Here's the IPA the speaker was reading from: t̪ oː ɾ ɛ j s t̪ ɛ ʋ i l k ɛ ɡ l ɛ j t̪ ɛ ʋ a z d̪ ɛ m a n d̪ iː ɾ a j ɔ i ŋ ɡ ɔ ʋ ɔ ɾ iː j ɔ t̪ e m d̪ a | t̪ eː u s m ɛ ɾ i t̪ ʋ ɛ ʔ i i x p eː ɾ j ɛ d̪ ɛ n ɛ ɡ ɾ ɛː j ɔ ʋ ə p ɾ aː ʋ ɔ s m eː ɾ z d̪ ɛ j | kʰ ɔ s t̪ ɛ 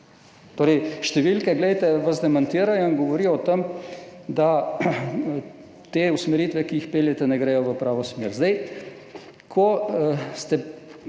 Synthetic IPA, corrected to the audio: t̪ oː ɾ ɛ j ʃ t̪ ɛ ʋ i l k ɛ ɡ l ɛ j t̪ ɛ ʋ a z d̪ ɛ m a n t̪ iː ɾ a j ɔ i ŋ ɡ ɔ ʋ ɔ ɾ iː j ɔ t̪ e m d̪ a | t̪ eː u s m ɛ ɾ i t̪ ʋ ɛ k i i x p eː l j ɛ t̪ ɛ n ɛ ɡ ɾ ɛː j ɔ ʋ ə p ɾ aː ʋ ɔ s m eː ɾ z d̪ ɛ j | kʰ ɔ s t̪ ɛ

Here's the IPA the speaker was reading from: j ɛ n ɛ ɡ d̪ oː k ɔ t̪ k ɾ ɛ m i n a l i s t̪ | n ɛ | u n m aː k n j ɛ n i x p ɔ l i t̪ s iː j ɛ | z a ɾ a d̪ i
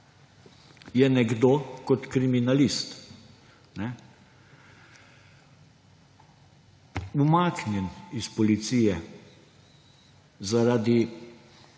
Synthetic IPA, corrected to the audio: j ɛ n ɛ ɡ d̪ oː k ɔ t̪ k ɾ i m i n a l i s t̪ | n ɛ | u m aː k n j ɛ n i s p ɔ l i t̪ s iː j ɛ | z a ɾ a d̪ i

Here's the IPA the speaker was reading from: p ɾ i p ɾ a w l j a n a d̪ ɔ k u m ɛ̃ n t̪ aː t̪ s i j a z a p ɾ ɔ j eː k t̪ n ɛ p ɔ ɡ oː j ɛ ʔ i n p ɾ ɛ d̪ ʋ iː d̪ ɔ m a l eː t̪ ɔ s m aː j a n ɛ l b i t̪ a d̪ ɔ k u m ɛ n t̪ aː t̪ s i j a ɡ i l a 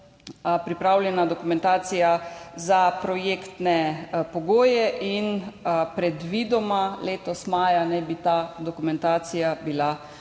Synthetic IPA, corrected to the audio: p ɾ i p ɾ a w l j ɛ n a d̪ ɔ k u m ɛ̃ n t̪ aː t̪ s i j a z a p ɾ ɔ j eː k t̪ n ɛ p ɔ ɡ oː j ɛ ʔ i n p ɾ ɛ d̪ ʋ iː d̪ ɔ m a l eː t̪ ɔ s m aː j a n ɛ b i t̪ a d̪ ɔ k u m ɛ n t̪ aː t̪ s i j a b i l a

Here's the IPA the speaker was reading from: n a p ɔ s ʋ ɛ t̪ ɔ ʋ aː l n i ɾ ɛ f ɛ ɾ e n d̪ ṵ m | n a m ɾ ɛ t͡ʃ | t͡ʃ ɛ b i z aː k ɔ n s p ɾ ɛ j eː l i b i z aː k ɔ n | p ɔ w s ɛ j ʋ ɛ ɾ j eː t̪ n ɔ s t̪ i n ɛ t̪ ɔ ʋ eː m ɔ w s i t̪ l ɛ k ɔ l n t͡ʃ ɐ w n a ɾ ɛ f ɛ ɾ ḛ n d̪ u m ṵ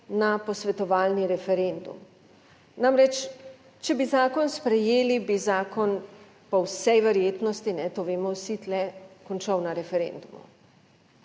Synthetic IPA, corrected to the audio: n a p ɔ s ʋ ɛ t̪ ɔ ʋ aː l n i ɾ ɛ f ɛ ɾ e n d̪ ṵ m | n a m ɾ ɛ t͡ʃ | t͡ʃ ɛ b i z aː k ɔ n s p ɾ ɛ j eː l i b i z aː k ɔ n | p ɔ w s ɛ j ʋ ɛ ɾ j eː t̪ n ɔ s t̪ i n ɛ t̪ o ʋ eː m ɔ w s i t̪ l ɛ k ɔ n t͡ʃ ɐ w n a ɾ ɛ f ɛ ɾ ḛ n d̪ u m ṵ

